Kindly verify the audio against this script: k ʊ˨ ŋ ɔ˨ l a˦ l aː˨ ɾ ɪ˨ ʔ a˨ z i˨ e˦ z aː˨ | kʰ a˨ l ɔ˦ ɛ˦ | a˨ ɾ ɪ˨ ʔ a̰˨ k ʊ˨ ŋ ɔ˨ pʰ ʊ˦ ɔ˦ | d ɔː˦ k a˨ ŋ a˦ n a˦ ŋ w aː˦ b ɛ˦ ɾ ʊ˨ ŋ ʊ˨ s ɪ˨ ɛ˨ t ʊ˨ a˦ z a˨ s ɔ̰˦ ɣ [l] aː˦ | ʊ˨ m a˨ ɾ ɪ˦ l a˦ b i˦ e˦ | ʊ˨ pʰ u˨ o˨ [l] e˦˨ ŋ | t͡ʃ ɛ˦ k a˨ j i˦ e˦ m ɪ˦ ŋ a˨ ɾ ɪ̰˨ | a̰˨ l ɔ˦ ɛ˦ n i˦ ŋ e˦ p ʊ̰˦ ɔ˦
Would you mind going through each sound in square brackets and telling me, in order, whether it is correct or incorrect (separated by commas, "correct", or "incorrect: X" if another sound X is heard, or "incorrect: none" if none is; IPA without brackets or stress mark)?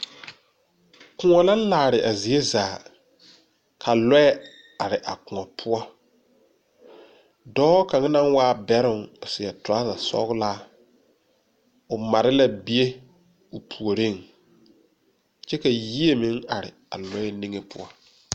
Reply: correct, incorrect: ɾ